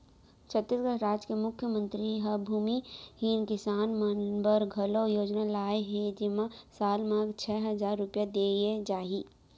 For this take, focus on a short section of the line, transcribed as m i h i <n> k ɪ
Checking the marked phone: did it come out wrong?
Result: no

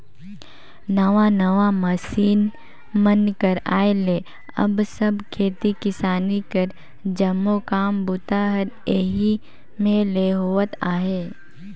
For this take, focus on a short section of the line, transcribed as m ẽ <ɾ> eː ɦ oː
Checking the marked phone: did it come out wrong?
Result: yes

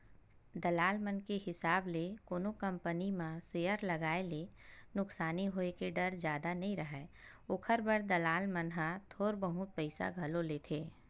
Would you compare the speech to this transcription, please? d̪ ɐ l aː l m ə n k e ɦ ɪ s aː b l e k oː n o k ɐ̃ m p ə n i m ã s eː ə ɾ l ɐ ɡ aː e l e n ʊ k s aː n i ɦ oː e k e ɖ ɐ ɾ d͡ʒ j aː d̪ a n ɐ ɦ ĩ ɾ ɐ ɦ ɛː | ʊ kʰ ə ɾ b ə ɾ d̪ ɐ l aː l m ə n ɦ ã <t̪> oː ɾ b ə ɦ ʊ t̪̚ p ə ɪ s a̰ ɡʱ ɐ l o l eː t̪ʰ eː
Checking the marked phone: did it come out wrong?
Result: yes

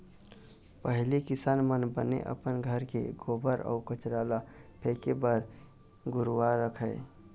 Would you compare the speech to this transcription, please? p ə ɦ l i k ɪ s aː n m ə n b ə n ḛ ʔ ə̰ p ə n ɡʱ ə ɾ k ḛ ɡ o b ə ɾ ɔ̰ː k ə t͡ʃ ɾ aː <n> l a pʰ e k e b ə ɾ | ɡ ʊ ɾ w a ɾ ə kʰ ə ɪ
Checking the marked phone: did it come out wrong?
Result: yes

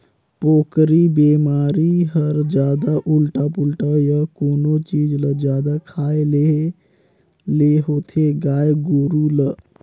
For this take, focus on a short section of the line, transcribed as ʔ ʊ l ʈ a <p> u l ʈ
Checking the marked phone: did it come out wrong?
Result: no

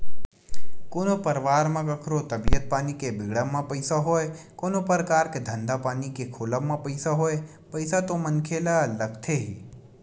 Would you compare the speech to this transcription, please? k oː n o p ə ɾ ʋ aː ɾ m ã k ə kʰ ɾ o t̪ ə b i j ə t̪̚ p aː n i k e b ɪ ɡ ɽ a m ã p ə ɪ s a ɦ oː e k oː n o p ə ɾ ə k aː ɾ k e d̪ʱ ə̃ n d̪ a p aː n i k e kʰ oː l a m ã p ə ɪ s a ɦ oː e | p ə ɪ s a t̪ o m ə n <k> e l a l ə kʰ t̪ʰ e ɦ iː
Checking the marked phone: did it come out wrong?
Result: yes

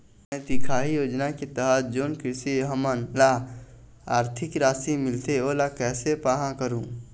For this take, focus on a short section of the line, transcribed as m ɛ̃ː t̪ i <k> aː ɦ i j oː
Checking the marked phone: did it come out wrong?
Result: yes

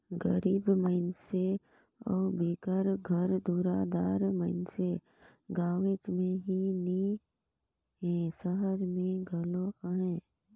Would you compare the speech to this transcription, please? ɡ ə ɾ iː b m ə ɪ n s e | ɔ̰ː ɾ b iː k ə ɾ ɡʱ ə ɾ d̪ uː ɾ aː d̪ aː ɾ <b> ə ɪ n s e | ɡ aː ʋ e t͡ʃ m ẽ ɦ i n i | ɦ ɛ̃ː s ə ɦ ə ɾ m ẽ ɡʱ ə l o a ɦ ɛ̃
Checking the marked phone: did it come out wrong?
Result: yes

